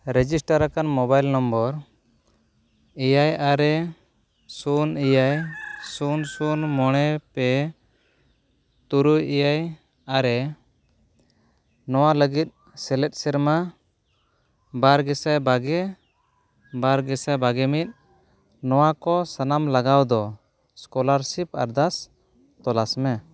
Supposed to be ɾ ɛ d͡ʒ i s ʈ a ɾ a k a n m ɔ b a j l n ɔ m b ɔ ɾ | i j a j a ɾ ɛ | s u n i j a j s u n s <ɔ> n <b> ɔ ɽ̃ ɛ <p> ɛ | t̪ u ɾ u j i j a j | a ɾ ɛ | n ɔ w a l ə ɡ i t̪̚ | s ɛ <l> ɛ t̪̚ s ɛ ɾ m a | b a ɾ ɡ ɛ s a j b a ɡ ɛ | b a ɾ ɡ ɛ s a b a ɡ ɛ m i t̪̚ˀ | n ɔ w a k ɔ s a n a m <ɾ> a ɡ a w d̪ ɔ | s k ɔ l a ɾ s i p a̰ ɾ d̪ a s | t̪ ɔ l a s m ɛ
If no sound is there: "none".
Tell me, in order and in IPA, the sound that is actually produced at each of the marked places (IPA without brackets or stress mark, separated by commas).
u, m, p, l, l